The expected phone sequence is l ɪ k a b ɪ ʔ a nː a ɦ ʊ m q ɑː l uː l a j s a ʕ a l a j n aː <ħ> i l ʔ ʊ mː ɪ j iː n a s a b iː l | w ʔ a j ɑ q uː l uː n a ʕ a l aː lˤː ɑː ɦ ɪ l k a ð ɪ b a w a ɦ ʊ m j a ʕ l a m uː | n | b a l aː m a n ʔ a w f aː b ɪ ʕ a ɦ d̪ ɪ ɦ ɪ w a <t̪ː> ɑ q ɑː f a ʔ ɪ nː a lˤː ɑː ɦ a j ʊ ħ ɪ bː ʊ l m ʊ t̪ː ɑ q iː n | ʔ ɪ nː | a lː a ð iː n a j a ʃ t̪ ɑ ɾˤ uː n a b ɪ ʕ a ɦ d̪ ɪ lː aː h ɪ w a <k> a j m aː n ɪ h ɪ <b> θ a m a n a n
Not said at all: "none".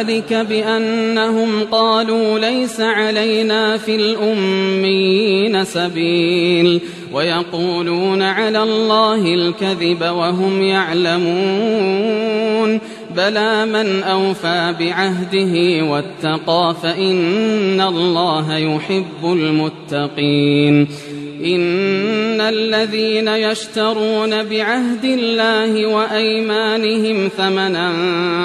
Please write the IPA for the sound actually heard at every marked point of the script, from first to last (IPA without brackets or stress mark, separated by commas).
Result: f, t̪ː, ʔ, m